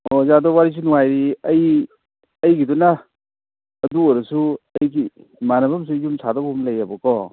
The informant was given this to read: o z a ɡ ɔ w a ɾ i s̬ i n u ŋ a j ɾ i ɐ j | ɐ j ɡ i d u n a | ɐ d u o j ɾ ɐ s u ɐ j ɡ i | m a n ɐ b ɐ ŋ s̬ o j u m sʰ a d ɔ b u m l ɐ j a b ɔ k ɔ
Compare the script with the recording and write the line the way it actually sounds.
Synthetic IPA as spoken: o z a d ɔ w a ɾ i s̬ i n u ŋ a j ɾ i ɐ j | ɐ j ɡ i d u n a | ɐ d u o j ɾ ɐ s u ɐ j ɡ i | m a n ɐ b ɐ m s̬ u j u m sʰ a d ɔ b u m l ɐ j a b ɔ k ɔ